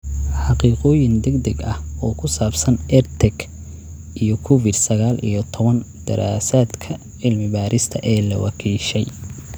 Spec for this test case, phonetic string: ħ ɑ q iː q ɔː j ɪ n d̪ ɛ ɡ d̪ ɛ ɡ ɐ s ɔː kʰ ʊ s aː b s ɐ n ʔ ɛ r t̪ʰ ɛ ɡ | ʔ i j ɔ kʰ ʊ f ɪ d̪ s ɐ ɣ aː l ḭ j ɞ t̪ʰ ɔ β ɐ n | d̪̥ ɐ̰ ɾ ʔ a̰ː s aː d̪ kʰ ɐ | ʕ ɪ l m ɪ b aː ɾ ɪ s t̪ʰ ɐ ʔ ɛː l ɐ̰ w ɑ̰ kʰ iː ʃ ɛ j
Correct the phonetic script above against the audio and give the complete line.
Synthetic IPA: ħ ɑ q iː q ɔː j ɪ n d̪ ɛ ɡ d̪ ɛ ɡ ɐ h ɔː kʰ ʊ s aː b s ɐ n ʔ ɛ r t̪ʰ ɛ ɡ | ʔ i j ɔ kʰ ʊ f ɪ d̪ s ɐ ɣ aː l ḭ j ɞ t̪ʰ ɔ β ɐ n | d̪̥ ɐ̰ ɾ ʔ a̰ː s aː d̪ kʰ ɐ | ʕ ɪ l m ɪ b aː ɾ ɪ s t̪ʰ ɐ ʔ ɛː l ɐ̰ w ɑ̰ kʰ iː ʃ ɛ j